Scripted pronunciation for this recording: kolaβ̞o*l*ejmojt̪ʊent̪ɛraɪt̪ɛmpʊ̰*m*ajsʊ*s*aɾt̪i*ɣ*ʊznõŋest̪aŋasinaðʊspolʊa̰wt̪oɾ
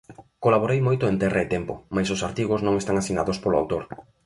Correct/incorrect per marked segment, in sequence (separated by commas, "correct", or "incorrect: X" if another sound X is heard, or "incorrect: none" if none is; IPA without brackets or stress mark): incorrect: ɾ, correct, correct, correct